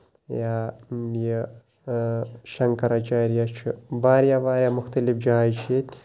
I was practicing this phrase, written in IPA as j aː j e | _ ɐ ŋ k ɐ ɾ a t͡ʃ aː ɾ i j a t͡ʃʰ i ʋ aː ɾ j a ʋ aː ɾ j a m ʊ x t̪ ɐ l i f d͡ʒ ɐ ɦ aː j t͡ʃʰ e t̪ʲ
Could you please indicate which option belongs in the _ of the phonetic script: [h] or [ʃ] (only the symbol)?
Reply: ʃ